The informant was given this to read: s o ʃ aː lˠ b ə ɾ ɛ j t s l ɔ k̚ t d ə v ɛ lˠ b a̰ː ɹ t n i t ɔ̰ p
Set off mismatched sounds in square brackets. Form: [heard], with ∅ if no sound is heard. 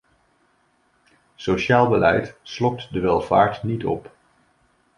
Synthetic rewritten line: s o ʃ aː lˠ b ə [l] ɛ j t s l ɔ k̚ t d ə [ʋ] ɛ lˠ [v] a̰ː ɹ t n i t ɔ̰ p